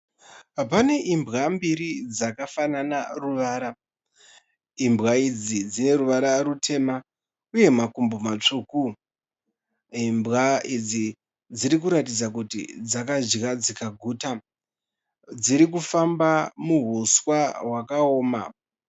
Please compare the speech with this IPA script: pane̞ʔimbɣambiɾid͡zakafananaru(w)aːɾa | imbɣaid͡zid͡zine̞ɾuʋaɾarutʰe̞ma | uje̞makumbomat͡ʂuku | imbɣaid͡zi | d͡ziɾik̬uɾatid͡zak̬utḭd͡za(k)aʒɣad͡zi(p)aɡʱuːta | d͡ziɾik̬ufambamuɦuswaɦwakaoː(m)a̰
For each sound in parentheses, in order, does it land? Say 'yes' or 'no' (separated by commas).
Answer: no, yes, no, yes